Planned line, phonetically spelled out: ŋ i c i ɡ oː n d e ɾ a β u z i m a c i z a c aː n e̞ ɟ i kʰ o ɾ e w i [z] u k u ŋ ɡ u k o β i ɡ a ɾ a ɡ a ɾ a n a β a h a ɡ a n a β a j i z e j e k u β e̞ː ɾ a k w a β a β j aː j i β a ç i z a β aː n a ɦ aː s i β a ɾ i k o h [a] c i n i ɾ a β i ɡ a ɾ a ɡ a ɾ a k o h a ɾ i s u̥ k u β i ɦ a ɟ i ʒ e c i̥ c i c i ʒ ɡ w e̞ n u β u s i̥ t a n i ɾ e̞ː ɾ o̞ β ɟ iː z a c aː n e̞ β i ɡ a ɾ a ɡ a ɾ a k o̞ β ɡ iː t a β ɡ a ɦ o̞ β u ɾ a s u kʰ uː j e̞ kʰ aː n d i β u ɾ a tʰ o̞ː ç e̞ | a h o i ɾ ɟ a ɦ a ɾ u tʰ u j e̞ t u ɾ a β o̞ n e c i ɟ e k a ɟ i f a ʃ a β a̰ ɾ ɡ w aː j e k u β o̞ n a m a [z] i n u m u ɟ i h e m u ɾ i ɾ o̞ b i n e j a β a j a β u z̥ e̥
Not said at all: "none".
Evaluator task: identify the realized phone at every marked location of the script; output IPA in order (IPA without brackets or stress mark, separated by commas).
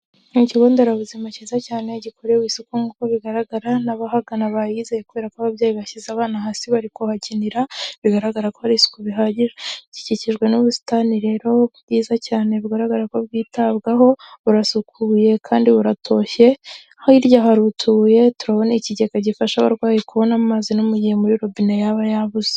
s, a, z